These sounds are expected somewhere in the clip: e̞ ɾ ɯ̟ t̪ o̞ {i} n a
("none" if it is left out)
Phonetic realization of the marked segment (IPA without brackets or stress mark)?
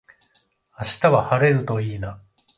iː